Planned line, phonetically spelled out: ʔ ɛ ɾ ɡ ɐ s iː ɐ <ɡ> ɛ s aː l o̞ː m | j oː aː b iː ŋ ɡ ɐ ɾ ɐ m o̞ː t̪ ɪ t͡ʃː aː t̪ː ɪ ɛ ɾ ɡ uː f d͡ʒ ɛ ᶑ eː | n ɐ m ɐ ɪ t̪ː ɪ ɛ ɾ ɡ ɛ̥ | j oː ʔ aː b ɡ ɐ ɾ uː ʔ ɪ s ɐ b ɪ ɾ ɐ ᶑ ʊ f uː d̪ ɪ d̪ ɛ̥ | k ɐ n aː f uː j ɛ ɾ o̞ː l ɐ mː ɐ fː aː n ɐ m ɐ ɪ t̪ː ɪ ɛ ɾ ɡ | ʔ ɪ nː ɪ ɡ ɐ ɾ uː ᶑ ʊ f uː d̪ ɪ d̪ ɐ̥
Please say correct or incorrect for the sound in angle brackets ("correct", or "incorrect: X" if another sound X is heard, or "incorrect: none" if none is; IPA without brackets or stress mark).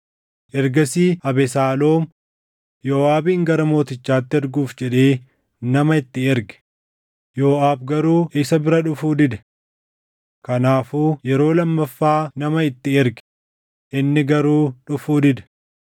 incorrect: b